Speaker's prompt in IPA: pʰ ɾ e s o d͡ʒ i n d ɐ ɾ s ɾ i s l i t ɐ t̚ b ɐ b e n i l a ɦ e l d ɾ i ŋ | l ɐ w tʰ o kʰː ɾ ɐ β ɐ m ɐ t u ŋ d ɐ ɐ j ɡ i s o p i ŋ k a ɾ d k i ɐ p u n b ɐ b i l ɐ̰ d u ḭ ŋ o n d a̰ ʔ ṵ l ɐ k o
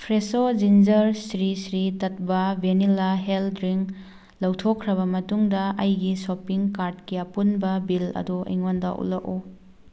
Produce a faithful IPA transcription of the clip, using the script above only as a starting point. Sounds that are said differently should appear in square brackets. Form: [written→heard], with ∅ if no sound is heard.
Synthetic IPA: pʰ ɾ e s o d͡ʒ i n [d→d͡ʒ] ɐ ɾ s ɾ i s [l→ɾ] i t ɐ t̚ b ɐ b e n i l a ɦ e l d ɾ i ŋ | l ɐ w tʰ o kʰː ɾ ɐ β ɐ m ɐ t u ŋ d ɐ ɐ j ɡ i s o p i ŋ k a ɾ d k i ɐ p u n b ɐ b i l ɐ̰ d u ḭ ŋ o n d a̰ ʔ ṵ l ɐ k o